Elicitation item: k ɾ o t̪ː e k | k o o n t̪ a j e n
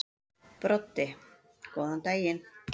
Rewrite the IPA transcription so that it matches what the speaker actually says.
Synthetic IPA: p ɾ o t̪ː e | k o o n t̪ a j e n